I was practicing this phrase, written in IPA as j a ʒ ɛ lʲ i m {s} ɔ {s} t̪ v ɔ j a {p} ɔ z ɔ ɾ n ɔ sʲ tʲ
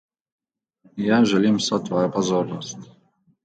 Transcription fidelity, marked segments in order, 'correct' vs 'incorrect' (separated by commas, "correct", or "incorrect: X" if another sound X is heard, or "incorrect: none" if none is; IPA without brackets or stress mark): correct, incorrect: none, correct